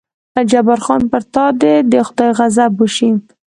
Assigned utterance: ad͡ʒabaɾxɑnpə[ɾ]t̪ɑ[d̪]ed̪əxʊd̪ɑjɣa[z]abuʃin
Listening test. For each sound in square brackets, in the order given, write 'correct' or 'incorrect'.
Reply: correct, correct, correct

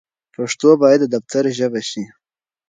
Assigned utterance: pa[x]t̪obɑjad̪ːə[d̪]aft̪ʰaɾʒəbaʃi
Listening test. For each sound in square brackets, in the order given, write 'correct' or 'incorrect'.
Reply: incorrect: ʂ, correct

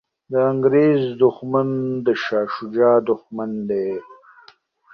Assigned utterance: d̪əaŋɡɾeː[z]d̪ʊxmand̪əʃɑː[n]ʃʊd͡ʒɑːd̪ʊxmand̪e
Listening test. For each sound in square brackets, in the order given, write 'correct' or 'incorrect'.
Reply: correct, incorrect: none

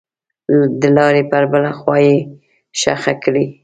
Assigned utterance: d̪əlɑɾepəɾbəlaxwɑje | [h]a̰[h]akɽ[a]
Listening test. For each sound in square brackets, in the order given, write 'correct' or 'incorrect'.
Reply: incorrect: ʃ, incorrect: x, incorrect: i

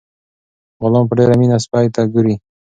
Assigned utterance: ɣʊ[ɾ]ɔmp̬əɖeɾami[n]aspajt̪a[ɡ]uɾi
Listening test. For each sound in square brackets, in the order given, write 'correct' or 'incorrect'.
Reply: incorrect: l, correct, correct

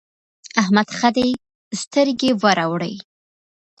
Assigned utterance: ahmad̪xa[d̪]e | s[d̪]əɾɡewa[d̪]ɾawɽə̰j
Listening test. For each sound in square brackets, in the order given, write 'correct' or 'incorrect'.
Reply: correct, incorrect: t̪, incorrect: none

